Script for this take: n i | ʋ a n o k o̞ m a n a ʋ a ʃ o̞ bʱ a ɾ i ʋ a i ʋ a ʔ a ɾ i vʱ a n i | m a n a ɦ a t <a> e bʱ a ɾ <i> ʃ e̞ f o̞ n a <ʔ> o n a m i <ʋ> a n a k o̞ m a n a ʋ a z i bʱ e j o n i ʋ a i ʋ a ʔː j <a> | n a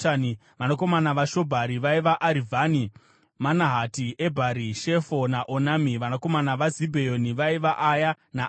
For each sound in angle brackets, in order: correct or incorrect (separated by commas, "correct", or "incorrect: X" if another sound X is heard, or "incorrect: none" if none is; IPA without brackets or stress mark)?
incorrect: i, correct, correct, correct, correct